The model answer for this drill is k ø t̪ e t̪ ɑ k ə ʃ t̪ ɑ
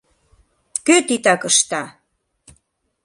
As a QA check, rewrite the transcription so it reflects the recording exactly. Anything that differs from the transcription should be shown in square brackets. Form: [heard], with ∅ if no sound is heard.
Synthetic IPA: k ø t̪ [i] t̪ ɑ k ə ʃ t̪ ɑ